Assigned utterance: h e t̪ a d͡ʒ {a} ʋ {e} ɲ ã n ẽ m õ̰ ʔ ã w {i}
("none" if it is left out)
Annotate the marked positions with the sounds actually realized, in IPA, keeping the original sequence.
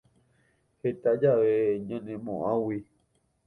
a, e, i

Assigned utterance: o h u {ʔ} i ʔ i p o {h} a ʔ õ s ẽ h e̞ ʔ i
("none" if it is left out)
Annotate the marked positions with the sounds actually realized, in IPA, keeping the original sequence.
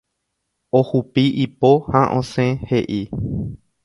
p, h

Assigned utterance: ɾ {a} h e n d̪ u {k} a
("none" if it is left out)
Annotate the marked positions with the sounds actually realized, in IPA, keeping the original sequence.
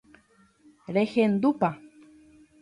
e, p

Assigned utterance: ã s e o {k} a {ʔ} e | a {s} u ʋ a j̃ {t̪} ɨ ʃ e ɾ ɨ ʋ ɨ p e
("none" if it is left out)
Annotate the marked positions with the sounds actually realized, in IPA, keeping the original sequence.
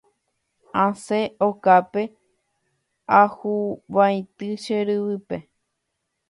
k, p, h, t̪

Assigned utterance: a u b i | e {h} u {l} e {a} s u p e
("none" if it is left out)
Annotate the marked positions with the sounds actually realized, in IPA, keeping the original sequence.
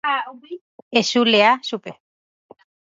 s, l, a

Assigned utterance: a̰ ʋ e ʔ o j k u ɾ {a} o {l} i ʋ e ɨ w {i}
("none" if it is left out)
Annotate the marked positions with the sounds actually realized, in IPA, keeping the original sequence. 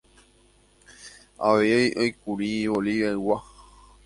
i, l, a

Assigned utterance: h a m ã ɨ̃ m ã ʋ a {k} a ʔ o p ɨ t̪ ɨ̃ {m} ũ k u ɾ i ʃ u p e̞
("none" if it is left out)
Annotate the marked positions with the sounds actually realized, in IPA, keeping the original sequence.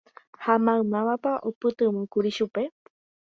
p, m

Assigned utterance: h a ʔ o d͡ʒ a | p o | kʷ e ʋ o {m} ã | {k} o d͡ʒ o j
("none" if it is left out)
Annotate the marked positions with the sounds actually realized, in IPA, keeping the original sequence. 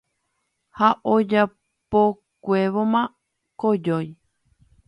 m, k

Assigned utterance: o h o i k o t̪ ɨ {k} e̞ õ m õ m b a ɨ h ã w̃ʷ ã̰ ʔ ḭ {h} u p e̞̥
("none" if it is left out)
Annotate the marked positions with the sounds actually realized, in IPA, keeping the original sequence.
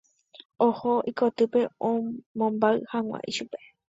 p, ʃ

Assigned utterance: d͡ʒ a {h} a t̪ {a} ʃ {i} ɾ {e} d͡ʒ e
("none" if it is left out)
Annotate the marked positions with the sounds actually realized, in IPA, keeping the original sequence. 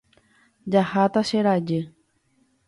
h, a, e, a

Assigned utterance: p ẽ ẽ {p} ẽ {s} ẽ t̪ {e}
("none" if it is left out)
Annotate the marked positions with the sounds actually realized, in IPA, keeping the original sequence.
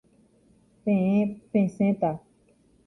p, s, a

